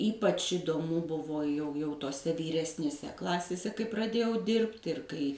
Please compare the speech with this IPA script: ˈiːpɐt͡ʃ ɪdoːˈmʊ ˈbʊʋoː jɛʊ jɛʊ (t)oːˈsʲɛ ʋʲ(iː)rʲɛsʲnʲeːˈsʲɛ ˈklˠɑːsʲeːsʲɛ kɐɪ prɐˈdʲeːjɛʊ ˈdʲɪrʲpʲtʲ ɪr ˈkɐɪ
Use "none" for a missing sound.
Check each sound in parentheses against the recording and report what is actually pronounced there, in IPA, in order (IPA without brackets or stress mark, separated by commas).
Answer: t, iː